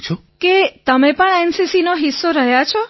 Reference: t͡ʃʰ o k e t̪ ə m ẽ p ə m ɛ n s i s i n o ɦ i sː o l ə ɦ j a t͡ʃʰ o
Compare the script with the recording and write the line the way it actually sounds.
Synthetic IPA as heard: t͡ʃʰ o k e t̪ ə m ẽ p ə ɳ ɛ n s i s i n o ɦ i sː o ɾ ə ɦ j a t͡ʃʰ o